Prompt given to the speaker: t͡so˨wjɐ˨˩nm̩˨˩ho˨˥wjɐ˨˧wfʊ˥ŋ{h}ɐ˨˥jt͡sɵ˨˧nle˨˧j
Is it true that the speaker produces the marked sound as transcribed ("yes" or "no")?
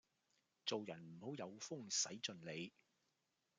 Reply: no